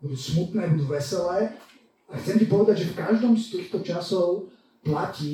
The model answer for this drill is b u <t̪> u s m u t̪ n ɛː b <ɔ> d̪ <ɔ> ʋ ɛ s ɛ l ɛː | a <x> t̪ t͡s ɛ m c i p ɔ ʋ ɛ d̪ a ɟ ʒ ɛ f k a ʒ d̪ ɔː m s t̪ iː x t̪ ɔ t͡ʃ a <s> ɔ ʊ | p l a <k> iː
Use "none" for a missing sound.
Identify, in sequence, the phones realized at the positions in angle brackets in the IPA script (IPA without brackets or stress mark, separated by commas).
d̪, u, u, x, s, c